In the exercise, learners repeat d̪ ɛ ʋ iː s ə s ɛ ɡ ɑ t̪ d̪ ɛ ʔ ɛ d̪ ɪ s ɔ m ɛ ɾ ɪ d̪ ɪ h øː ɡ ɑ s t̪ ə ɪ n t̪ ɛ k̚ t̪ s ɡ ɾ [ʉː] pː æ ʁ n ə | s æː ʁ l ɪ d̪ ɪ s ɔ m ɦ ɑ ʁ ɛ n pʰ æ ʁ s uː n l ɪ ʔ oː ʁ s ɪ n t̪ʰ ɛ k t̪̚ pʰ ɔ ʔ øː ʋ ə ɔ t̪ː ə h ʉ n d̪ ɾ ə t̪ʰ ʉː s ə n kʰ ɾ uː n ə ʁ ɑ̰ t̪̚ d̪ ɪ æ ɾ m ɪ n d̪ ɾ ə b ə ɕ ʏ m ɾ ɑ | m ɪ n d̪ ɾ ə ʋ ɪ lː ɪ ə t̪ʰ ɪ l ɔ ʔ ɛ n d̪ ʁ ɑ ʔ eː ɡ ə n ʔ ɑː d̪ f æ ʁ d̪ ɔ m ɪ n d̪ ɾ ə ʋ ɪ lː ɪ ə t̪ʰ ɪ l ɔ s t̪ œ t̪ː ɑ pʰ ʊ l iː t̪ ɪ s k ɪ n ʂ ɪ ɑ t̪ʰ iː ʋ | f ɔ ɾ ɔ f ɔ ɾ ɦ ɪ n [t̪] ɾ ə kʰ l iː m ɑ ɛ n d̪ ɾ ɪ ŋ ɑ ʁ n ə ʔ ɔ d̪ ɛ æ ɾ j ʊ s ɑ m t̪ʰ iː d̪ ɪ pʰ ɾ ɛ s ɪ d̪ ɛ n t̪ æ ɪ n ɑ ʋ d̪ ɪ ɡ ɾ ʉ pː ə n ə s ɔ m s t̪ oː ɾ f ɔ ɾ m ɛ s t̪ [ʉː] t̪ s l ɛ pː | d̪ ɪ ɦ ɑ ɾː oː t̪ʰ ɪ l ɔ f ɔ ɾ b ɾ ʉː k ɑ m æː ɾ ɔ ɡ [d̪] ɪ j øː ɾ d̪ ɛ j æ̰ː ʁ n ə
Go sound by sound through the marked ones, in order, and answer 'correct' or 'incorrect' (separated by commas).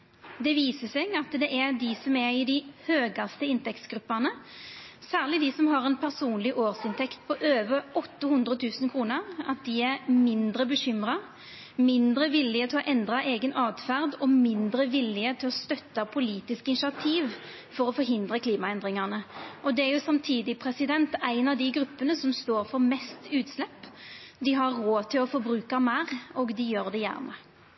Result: incorrect, incorrect, correct, correct